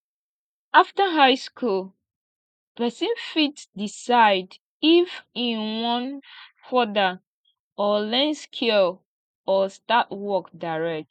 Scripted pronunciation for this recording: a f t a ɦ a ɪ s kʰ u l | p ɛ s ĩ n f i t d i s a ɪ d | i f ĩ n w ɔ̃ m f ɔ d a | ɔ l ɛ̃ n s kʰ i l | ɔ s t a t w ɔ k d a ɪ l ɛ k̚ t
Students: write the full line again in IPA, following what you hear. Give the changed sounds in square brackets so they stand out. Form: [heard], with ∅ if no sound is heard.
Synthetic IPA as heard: a f t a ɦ a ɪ s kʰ u l | p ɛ s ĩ n f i t d i s a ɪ d | i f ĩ n w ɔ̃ [n] f ɔ d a | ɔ l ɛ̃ n s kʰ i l | ɔ s t a t w ɔ k d a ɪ [ɹ] ɛ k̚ t